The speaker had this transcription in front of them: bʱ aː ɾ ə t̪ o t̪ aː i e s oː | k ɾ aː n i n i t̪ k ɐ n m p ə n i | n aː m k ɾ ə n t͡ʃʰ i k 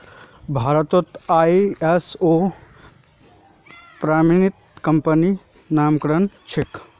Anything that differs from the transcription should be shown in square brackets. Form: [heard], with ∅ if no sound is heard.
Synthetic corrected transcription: bʱ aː ɾ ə t̪ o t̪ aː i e s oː | [p] ɾ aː [m] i n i t̪ k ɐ [∅] m p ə n i | n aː m k ɾ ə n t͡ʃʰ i k